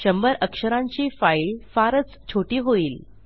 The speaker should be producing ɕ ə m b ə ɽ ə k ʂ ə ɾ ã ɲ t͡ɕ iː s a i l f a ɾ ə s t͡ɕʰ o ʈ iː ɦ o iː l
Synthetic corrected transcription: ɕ ə m b ə ɾ ə k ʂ ə ɾ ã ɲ t͡ɕ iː f a i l f a ɾ ə t͡s t͡ɕʰ o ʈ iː ɦ o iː l